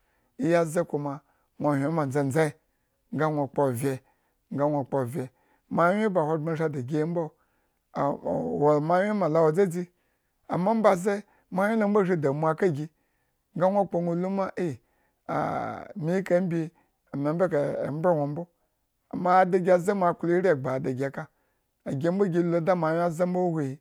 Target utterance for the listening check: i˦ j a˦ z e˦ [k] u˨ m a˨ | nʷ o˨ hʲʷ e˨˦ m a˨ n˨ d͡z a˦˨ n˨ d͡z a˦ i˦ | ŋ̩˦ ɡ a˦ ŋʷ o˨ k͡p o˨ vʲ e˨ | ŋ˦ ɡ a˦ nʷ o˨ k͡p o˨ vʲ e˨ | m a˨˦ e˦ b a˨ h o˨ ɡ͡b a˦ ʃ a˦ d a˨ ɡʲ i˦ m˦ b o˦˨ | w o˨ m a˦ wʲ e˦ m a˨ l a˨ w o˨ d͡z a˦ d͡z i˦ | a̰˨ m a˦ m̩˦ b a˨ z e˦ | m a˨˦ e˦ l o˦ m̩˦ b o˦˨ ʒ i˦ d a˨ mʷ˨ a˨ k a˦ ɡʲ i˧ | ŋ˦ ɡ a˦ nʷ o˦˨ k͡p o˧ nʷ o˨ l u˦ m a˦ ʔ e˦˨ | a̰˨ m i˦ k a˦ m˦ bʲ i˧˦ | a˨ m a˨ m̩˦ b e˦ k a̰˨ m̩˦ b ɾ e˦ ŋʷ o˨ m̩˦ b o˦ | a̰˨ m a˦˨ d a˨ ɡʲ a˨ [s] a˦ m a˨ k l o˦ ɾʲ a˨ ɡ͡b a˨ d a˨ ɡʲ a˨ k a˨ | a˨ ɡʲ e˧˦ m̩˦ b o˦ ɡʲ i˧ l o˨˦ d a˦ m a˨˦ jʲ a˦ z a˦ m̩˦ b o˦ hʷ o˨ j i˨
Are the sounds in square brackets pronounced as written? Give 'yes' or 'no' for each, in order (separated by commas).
yes, no